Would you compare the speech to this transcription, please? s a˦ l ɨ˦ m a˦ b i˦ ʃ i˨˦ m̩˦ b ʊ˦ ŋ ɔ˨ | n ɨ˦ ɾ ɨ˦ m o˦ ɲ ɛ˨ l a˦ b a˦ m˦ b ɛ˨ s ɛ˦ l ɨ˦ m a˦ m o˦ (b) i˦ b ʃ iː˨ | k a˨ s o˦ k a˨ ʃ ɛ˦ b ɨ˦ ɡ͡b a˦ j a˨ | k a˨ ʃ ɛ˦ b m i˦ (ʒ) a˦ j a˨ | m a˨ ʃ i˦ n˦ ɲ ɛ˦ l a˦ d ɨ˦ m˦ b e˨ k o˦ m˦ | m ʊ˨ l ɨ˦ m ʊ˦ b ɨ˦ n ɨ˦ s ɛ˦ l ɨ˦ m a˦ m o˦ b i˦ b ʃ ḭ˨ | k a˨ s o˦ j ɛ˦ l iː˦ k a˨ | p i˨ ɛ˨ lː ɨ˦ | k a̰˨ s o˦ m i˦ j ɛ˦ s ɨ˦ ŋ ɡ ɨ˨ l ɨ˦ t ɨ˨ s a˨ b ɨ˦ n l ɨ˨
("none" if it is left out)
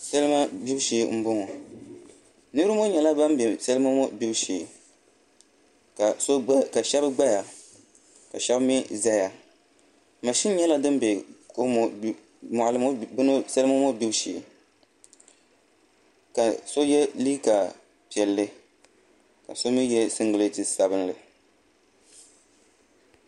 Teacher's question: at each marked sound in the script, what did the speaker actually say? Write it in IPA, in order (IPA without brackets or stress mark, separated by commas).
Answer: b, z